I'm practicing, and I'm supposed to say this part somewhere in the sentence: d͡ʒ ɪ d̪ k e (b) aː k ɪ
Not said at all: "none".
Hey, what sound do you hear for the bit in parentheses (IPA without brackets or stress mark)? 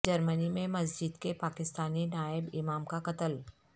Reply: p